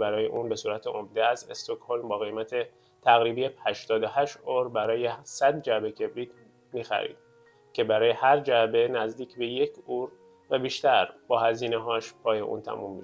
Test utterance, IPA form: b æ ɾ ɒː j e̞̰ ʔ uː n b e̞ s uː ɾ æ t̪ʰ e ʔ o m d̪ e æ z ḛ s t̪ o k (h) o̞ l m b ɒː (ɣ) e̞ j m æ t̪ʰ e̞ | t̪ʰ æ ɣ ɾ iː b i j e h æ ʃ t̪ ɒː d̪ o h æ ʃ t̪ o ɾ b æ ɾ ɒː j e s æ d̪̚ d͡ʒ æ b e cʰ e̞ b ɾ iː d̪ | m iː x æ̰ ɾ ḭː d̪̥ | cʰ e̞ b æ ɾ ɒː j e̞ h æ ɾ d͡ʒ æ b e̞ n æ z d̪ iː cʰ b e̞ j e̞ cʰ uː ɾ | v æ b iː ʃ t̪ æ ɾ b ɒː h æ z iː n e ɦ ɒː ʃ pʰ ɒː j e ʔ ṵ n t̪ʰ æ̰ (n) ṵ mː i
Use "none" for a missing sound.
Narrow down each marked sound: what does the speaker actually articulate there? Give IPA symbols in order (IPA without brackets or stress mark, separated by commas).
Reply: h, ɣ, m